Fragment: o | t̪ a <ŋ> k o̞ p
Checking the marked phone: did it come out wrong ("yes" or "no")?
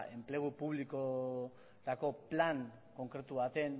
yes